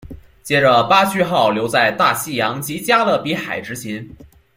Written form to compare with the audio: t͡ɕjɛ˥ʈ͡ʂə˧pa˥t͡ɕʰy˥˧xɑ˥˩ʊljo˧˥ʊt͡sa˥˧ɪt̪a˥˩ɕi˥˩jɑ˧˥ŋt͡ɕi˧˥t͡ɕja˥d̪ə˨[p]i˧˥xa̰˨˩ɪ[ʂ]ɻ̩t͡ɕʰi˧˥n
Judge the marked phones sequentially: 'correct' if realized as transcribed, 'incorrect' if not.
correct, incorrect

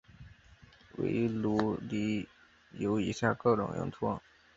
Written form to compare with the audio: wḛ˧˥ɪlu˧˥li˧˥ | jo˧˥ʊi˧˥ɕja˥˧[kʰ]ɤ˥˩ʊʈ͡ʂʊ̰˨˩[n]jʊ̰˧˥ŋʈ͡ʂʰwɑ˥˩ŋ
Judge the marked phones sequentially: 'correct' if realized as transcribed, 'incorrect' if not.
incorrect, incorrect

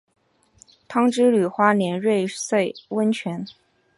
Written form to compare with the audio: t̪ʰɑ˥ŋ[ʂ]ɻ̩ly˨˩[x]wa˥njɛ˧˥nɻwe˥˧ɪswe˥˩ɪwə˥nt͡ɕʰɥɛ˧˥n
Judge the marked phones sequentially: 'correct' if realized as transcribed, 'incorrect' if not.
incorrect, correct

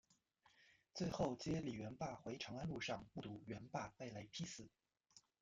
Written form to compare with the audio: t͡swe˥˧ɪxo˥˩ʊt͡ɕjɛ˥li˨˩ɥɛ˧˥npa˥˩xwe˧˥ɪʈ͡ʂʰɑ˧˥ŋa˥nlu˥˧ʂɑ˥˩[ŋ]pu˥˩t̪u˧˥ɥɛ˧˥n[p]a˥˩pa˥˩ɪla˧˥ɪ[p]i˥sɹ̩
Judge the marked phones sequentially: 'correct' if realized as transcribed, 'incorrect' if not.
correct, correct, incorrect

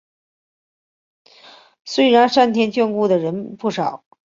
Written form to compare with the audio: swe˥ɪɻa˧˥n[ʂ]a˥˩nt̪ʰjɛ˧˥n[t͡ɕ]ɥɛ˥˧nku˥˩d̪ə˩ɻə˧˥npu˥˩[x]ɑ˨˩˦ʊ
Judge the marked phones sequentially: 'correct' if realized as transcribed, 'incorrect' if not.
correct, correct, incorrect

